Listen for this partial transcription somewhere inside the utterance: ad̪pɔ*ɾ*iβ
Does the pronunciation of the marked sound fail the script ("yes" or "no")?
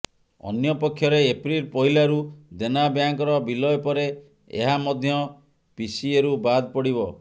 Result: yes